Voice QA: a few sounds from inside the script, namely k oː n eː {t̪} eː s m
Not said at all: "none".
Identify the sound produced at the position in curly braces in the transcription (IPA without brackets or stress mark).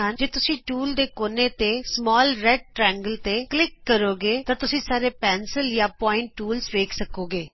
t̪